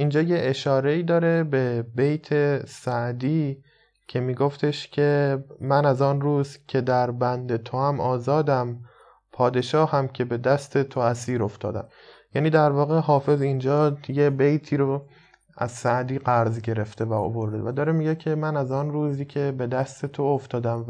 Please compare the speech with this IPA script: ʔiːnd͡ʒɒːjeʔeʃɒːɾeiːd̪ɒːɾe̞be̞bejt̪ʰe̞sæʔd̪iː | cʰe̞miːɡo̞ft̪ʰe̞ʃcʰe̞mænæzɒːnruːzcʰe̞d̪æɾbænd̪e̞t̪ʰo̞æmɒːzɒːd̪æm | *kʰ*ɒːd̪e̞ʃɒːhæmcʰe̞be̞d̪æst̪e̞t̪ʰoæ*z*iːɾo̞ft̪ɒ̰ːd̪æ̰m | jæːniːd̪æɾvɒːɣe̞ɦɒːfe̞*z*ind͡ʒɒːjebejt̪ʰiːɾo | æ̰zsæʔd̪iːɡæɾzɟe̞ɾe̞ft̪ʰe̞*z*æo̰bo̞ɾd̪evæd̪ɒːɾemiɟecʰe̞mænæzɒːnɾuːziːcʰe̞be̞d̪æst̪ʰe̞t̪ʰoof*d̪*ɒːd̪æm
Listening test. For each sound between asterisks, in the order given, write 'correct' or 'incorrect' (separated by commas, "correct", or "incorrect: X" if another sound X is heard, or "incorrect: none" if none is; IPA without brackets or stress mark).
incorrect: pʰ, incorrect: s, correct, incorrect: v, incorrect: t̪